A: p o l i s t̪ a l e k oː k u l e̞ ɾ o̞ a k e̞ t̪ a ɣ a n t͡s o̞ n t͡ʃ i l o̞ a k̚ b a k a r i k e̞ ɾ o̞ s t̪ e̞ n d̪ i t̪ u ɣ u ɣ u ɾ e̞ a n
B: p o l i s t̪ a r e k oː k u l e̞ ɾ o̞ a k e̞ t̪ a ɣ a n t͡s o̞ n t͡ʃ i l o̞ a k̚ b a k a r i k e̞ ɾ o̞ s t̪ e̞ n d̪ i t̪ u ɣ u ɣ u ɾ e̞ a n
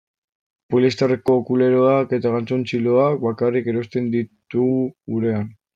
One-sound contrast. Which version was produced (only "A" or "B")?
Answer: B